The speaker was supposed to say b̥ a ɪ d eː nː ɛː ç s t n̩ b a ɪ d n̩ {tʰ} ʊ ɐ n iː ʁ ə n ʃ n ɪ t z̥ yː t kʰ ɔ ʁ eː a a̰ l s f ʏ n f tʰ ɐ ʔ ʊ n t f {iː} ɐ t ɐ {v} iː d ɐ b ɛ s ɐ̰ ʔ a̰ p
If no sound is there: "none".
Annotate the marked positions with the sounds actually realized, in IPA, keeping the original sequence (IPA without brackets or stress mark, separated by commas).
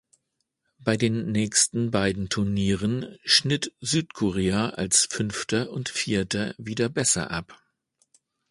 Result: tʰ, iː, v